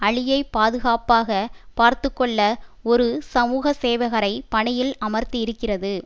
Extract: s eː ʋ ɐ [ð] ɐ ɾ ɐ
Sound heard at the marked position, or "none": ɣ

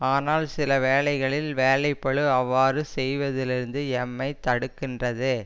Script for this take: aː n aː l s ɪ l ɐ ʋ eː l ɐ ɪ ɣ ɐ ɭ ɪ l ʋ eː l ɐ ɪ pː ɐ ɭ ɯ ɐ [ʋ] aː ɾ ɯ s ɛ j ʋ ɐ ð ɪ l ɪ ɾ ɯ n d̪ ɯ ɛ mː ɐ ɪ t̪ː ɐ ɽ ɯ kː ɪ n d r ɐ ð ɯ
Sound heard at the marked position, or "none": ʋː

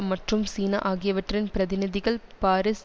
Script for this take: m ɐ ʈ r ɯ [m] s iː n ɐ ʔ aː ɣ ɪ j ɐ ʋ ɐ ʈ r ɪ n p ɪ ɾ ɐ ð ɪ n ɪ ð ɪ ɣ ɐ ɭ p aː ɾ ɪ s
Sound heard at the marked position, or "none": m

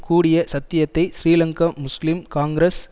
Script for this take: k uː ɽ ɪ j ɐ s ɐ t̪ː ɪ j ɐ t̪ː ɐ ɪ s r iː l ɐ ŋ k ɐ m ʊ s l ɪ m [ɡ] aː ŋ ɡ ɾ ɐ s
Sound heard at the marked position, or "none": k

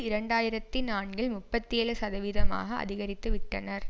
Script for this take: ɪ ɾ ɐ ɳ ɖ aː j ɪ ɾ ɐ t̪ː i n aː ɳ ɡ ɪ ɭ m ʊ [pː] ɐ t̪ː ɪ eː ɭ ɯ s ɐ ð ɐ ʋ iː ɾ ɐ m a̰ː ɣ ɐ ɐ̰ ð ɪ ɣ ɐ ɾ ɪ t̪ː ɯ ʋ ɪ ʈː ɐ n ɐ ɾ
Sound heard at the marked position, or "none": pː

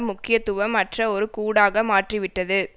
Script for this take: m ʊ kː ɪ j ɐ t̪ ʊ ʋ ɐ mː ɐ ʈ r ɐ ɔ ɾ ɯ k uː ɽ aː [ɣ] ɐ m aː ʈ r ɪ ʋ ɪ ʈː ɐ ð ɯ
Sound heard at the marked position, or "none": ɣ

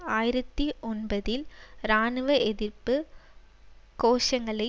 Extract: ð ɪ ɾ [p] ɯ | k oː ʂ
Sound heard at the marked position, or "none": p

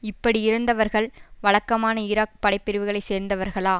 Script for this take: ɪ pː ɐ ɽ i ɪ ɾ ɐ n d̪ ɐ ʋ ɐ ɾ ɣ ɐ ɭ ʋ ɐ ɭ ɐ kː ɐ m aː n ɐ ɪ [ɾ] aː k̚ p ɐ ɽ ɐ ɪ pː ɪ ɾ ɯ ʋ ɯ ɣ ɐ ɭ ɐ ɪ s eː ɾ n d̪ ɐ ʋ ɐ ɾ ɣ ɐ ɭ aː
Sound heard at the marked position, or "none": ɾ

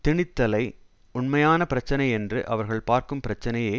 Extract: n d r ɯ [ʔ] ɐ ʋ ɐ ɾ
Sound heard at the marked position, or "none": ʔ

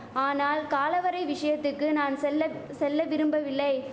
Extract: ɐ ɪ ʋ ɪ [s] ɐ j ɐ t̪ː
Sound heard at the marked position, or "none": ʂ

